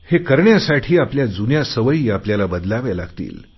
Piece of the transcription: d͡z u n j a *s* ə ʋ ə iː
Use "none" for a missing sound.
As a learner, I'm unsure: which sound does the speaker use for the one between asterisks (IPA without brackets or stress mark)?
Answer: s